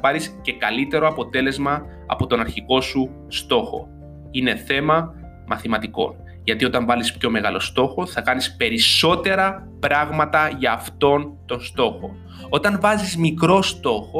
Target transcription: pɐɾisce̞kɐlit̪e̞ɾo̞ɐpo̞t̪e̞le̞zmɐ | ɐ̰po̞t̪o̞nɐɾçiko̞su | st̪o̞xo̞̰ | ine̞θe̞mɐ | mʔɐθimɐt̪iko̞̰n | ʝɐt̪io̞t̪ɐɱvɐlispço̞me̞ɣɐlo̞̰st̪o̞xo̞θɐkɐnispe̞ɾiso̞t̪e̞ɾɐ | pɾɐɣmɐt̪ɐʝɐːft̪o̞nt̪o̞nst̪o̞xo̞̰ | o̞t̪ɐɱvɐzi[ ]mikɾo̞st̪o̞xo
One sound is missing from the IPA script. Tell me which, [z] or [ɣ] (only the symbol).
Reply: z